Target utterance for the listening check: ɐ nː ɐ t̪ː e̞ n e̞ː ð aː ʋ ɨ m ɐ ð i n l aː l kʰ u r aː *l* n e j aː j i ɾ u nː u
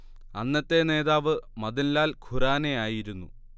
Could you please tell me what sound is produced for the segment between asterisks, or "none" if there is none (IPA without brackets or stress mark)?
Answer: none